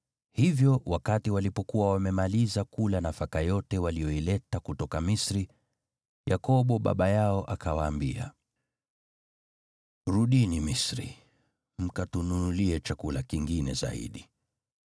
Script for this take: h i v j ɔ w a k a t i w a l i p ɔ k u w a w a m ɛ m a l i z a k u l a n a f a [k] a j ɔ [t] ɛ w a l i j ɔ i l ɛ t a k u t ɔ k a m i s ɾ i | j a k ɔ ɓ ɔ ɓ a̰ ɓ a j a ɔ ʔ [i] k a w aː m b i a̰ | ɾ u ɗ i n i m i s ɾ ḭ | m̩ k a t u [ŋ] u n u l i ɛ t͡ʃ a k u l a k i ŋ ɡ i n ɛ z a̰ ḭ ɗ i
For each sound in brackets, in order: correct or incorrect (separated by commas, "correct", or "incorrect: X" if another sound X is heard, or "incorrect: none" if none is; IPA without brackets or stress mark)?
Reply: correct, correct, incorrect: a, incorrect: n